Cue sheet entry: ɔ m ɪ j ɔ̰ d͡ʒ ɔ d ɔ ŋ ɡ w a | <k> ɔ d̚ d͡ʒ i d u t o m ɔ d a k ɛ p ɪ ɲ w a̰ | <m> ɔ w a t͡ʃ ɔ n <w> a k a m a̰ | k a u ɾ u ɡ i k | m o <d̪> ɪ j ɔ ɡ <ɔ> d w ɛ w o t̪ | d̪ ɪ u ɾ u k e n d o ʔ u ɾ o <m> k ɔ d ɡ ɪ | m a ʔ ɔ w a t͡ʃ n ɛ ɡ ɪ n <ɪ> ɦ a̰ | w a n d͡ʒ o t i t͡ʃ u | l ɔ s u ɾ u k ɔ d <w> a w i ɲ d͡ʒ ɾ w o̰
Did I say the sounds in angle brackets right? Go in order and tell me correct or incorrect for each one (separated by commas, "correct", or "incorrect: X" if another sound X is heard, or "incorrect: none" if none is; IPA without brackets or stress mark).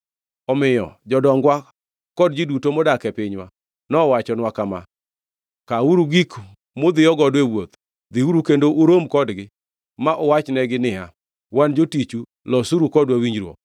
correct, incorrect: n, correct, correct, correct, correct, correct, correct